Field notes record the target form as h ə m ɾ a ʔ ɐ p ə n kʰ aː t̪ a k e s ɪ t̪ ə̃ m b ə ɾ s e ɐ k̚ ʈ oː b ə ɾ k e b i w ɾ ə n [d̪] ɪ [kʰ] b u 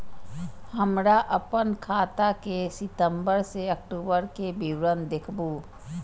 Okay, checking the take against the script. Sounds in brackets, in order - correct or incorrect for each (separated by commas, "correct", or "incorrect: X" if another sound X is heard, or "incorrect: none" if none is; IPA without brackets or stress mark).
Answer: correct, correct